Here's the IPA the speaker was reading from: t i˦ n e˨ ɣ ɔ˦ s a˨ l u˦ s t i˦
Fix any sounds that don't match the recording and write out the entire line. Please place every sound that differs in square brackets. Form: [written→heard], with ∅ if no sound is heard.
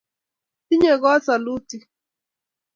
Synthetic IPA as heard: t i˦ [n→ɲ] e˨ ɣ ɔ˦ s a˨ l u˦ [s→∅] t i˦